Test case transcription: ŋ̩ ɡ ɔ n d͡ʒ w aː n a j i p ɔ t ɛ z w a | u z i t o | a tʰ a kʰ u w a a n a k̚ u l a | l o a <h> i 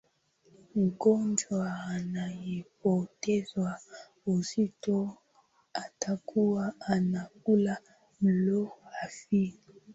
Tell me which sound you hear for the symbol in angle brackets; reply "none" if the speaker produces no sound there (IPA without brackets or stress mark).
f